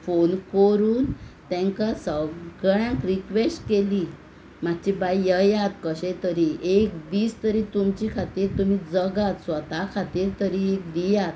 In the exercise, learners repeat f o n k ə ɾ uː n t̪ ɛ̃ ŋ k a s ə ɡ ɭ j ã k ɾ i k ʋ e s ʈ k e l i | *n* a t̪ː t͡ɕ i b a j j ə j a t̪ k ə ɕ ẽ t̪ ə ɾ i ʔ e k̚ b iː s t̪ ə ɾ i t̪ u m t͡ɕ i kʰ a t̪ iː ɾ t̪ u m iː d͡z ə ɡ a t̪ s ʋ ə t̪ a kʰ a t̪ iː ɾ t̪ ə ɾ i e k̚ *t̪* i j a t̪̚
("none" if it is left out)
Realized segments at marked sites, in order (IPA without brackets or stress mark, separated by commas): m, d̪